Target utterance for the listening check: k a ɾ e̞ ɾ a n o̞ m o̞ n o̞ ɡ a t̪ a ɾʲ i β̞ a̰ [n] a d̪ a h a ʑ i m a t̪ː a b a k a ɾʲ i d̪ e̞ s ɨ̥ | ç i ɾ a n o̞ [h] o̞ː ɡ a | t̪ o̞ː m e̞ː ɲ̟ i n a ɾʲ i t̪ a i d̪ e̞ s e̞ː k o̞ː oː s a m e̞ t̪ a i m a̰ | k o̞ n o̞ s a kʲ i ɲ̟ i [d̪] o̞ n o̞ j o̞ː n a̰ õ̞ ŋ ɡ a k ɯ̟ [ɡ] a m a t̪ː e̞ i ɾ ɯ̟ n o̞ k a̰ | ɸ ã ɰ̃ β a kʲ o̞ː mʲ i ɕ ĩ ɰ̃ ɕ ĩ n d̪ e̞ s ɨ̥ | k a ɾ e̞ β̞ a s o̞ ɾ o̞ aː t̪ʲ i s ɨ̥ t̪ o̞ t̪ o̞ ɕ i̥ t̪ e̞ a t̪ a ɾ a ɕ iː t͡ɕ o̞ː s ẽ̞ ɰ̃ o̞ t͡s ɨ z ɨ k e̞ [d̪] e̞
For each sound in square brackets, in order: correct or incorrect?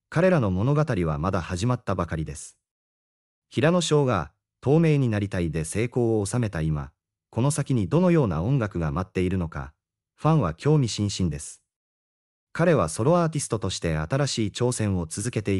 incorrect: m, incorrect: ɕ, correct, correct, incorrect: t̪

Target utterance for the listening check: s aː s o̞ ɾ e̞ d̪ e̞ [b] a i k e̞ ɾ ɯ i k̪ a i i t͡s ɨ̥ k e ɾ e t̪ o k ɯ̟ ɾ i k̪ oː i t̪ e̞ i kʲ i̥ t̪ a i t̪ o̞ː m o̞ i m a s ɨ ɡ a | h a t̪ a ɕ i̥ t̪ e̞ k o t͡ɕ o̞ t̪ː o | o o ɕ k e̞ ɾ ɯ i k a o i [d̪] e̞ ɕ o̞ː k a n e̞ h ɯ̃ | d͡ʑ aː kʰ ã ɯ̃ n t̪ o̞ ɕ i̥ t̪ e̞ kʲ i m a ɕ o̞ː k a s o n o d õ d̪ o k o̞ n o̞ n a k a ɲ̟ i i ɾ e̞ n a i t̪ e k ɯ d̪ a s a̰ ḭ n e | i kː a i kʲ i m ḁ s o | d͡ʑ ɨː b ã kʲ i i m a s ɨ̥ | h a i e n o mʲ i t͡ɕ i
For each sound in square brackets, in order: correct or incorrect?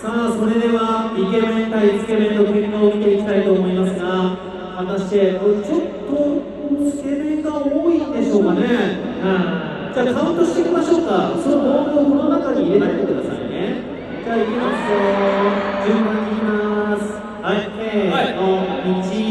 incorrect: β, correct

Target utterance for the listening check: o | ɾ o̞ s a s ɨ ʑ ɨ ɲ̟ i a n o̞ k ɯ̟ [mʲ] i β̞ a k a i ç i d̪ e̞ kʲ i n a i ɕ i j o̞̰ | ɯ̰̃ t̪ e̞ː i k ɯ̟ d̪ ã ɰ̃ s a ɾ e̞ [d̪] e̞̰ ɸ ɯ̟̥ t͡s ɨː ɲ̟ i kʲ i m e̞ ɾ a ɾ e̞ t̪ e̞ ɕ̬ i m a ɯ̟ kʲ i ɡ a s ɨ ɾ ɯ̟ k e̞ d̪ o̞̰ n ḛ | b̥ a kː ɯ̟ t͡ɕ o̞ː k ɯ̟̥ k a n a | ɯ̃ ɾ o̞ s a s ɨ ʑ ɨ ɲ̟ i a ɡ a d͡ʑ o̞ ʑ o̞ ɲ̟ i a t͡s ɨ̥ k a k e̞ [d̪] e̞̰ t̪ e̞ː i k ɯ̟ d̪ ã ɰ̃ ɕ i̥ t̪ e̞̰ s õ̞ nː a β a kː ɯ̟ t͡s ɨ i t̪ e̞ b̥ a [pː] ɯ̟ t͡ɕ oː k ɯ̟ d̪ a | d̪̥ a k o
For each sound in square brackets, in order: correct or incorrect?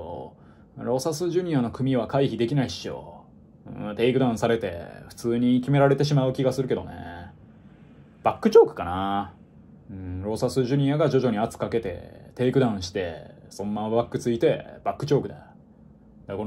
correct, incorrect: t̪, incorrect: t̪, incorrect: kː

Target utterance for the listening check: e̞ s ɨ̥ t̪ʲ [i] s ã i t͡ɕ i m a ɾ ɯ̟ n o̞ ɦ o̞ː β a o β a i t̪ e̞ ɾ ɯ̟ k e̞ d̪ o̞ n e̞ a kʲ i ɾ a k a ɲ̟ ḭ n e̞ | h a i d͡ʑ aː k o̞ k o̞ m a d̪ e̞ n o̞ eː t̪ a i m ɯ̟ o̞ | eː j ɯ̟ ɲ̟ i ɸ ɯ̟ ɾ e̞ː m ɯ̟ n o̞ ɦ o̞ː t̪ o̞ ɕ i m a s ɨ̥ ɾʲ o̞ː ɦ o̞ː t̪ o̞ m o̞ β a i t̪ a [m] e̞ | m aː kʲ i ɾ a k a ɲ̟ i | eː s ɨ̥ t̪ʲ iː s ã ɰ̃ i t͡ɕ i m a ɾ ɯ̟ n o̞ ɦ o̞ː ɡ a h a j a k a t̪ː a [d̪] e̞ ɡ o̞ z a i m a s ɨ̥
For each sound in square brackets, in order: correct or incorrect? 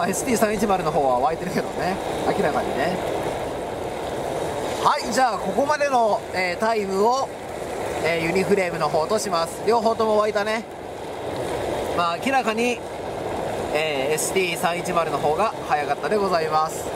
incorrect: iː, incorrect: n, correct

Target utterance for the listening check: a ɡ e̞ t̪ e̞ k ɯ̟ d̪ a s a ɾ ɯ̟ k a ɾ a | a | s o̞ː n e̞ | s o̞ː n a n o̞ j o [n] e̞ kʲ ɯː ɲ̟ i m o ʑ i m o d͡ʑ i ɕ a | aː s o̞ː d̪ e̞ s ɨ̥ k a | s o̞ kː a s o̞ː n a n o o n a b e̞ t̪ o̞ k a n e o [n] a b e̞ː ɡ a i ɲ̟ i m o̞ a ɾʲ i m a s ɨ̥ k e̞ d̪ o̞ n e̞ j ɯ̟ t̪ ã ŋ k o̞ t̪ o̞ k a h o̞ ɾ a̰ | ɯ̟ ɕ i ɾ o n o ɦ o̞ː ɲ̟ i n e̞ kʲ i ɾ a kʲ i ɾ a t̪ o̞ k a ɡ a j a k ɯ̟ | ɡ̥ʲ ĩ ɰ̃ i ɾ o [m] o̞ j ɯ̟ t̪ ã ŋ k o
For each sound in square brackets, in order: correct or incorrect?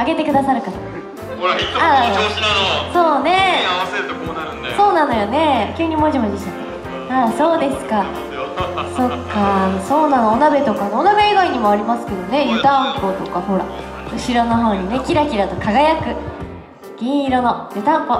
correct, correct, incorrect: n

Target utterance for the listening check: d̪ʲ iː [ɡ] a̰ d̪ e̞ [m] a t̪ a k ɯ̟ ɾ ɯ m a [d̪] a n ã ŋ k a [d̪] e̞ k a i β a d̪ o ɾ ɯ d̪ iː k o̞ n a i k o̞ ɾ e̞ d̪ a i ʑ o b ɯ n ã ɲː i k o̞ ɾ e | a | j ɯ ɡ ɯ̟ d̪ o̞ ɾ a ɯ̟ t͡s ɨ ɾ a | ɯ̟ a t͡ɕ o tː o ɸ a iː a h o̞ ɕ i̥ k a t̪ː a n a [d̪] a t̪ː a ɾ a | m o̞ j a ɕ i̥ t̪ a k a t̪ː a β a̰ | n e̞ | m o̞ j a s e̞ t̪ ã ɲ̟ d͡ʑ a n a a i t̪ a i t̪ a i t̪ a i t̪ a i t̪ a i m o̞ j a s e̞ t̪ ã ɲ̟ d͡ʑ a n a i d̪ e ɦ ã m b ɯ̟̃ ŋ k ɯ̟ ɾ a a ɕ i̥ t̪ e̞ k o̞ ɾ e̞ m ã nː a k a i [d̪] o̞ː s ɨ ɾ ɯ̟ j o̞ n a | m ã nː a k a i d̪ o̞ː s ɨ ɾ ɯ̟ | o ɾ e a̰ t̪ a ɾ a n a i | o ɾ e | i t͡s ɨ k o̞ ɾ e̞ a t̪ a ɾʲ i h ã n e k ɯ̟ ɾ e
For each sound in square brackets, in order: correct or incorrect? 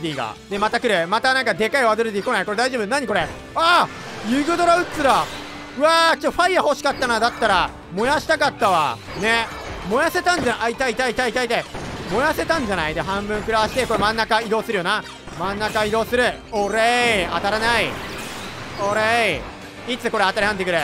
correct, correct, incorrect: t̪, correct, correct, correct

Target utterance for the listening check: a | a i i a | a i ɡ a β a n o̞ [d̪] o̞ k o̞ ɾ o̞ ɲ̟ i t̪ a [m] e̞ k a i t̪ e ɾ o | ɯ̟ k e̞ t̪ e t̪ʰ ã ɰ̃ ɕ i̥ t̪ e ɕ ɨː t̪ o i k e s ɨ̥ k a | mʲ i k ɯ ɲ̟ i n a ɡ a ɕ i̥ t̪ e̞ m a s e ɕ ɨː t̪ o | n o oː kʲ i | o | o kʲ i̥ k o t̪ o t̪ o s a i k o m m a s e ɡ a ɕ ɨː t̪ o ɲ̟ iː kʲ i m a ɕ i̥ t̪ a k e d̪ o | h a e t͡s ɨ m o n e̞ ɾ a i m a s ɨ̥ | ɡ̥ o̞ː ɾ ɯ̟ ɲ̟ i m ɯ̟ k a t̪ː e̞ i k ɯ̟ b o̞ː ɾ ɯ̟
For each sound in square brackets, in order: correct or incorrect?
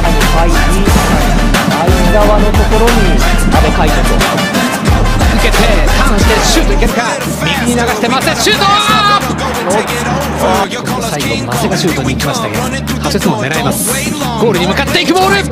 incorrect: t̪, incorrect: b

